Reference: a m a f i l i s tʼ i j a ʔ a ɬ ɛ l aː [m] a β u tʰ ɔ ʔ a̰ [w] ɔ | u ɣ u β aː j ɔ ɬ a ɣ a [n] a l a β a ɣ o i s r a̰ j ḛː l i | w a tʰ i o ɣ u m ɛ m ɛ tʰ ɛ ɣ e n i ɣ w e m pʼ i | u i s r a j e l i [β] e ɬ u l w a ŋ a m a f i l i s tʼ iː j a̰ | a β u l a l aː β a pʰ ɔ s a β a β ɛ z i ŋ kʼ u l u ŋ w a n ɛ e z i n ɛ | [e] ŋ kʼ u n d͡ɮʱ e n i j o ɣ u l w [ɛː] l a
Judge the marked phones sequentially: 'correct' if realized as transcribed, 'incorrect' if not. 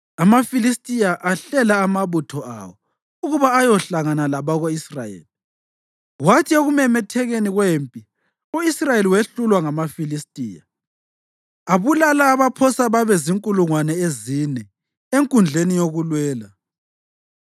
correct, correct, correct, incorrect: w, correct, correct

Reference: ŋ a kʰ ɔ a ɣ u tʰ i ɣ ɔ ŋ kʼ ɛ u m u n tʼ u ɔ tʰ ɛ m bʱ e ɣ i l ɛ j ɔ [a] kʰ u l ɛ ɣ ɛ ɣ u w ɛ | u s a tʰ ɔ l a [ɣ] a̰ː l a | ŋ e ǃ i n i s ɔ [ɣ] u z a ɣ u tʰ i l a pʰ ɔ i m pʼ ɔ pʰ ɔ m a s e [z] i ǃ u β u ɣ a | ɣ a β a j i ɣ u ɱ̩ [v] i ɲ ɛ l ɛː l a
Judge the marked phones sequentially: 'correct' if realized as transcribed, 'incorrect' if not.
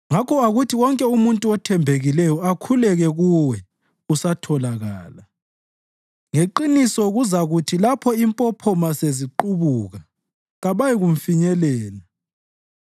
correct, correct, correct, correct, incorrect: f

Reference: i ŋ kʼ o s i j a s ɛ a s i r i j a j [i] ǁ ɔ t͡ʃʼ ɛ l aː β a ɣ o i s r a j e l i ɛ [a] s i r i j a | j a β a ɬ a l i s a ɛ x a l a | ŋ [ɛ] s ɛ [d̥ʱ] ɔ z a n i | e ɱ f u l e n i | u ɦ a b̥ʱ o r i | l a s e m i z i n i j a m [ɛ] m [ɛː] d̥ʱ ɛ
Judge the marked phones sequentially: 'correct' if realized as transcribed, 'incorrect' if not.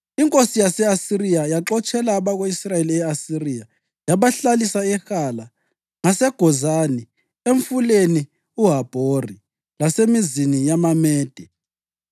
incorrect: a, correct, incorrect: a, incorrect: ɡ̥ʱ, incorrect: a, correct

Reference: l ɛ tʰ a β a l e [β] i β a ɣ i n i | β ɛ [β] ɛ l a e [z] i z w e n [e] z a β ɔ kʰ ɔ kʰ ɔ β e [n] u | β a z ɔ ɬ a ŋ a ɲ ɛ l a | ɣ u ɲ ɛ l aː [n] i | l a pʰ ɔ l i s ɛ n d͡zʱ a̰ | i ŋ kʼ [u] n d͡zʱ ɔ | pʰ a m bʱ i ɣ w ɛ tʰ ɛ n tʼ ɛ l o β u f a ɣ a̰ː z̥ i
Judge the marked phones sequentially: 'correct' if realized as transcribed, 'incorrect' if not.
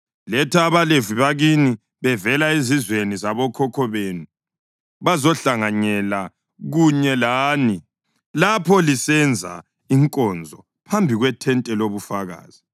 incorrect: v, incorrect: v, correct, incorrect: i, correct, correct, incorrect: ɔ

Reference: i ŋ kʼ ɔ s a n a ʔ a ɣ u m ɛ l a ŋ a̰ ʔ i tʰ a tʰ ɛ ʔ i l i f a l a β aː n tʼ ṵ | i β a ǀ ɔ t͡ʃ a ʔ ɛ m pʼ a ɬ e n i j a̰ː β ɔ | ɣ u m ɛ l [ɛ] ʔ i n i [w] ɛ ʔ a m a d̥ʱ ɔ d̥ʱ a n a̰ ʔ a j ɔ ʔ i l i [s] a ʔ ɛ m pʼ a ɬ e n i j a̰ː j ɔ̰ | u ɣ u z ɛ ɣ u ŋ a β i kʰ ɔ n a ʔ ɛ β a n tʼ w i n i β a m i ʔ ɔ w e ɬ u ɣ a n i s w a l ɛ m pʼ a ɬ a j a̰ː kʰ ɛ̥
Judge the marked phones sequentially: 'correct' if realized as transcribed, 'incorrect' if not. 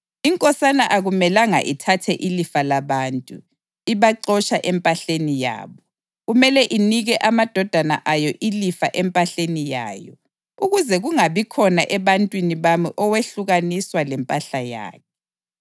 correct, incorrect: ɣ, incorrect: f

